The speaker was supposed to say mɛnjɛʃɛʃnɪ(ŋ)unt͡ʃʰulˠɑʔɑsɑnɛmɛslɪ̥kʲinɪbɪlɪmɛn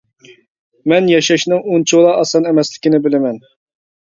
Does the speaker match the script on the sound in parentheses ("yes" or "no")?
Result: yes